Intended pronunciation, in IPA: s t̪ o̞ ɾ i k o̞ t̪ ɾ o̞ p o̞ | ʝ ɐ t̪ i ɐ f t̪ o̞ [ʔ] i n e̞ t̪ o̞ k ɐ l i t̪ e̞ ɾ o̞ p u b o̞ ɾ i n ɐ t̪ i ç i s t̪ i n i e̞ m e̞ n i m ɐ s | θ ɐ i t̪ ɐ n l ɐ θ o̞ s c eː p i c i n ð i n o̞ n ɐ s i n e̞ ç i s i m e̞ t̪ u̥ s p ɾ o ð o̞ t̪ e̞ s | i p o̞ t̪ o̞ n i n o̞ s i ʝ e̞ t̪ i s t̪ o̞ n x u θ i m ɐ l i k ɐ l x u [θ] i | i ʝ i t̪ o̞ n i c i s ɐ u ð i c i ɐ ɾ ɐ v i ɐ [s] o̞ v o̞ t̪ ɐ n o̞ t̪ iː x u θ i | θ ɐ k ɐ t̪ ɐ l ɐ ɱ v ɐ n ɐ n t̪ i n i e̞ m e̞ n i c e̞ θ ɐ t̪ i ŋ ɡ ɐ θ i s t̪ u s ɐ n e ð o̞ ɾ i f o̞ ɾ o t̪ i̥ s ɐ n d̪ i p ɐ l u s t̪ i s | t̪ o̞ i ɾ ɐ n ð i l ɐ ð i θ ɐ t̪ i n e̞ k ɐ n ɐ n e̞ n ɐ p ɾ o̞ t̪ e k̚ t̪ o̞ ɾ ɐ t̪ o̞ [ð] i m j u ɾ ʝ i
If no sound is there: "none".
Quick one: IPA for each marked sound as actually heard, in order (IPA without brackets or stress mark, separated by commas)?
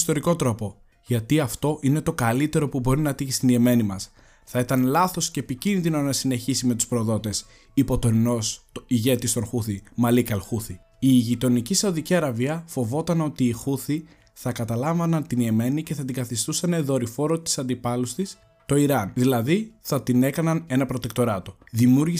ʔ, θ, f, ð